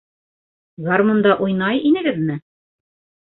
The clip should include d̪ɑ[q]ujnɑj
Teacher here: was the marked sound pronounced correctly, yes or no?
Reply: no